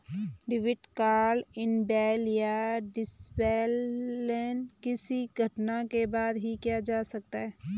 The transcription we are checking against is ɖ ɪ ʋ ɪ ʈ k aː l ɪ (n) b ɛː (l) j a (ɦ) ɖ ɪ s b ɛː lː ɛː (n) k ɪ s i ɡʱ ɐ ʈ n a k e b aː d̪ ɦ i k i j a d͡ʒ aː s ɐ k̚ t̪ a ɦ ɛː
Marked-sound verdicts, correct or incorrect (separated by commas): correct, correct, incorrect, correct